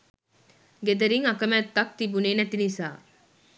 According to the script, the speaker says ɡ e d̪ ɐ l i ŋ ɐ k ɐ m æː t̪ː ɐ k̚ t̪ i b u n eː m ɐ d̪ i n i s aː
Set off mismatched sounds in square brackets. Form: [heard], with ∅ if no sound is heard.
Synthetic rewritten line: ɡ e d̪ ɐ [ɾ] i ŋ ɐ k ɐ m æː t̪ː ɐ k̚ t̪ i b u n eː [n] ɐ [t̪] i n i s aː